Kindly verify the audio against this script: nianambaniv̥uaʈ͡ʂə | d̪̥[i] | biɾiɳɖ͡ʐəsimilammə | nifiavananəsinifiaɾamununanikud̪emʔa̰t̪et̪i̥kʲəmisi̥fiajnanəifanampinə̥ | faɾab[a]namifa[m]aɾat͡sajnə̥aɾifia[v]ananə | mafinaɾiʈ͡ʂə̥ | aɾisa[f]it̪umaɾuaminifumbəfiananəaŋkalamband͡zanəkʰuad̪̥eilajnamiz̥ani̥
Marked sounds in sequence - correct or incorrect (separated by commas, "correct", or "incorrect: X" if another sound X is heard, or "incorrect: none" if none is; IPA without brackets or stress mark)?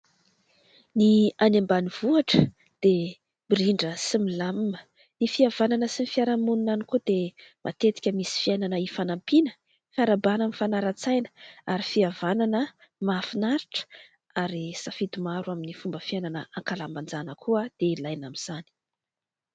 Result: incorrect: e, correct, incorrect: n, correct, correct